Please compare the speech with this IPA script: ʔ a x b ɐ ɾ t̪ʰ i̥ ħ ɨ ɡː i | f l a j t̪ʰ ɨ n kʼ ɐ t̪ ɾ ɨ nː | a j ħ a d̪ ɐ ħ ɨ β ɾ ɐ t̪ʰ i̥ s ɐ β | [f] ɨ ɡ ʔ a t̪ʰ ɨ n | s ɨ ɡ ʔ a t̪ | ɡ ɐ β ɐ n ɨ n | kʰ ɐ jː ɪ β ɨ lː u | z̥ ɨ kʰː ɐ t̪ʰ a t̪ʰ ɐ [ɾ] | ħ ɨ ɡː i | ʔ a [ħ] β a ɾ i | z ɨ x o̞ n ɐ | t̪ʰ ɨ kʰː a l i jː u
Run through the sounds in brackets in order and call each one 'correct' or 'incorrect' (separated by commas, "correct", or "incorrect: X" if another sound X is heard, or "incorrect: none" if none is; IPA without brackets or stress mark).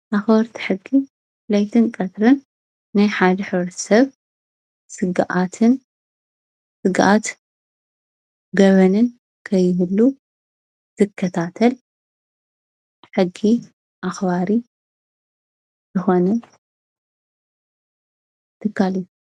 incorrect: s, incorrect: l, incorrect: x